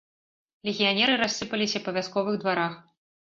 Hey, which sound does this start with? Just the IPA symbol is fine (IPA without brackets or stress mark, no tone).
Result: lʲ